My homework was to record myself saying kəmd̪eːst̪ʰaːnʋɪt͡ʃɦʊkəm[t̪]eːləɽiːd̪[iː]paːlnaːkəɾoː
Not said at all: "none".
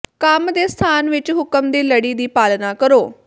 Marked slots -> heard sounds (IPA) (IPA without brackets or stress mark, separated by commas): d̪, iː